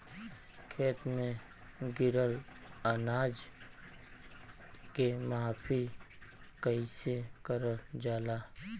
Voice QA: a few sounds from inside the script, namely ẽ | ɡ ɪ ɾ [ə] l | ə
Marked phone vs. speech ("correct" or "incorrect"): correct